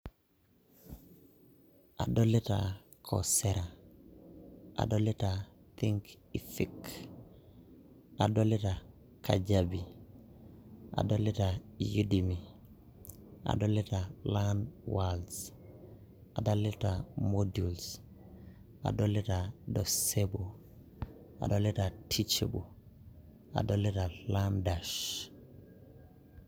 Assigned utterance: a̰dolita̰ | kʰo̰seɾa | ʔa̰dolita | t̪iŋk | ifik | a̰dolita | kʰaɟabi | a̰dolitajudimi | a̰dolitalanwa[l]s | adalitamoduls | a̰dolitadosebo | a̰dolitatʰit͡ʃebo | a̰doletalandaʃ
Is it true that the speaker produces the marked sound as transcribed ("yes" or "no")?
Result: yes